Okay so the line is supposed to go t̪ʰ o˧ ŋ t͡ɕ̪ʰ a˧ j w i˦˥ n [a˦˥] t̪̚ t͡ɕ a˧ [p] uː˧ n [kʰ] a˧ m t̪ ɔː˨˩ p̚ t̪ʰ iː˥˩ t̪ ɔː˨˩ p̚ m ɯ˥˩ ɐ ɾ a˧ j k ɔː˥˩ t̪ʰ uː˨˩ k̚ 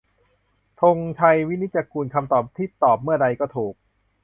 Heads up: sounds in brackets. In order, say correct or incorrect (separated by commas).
incorrect, incorrect, correct